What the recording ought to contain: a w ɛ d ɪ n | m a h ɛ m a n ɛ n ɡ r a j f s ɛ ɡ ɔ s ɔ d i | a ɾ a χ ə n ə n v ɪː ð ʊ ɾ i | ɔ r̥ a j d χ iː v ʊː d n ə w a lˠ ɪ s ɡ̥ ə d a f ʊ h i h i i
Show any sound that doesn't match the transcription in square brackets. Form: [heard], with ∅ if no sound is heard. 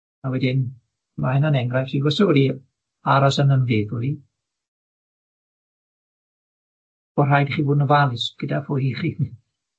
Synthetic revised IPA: a w ɛ d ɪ n | m a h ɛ [n] a n ɛ [ŋ] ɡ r a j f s [i] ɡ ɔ s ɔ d i | a ɾ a [s] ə n ə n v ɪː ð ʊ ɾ i | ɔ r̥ a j d χ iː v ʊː d n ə [v] a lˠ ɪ s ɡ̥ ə d a f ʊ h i [χ] i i